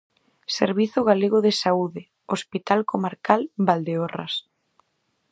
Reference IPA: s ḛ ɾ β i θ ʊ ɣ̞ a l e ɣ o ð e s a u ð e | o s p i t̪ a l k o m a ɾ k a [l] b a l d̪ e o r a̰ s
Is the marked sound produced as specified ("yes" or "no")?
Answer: yes